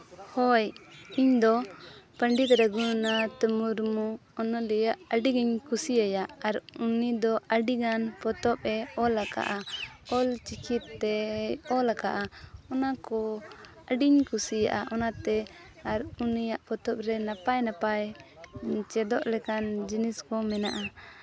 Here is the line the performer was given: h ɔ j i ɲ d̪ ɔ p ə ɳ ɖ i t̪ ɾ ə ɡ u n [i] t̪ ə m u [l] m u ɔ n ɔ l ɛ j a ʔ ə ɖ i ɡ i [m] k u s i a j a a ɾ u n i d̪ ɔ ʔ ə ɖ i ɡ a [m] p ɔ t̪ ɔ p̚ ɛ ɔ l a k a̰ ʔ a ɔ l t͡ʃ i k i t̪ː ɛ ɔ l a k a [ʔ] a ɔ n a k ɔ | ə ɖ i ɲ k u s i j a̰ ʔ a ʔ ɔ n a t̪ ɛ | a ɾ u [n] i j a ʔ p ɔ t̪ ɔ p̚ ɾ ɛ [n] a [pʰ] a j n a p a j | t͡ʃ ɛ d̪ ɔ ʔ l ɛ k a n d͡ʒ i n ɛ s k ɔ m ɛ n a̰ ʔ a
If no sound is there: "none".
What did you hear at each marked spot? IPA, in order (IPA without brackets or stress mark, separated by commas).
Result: a, ɾ, ɲ, n, ʔ, n, n, p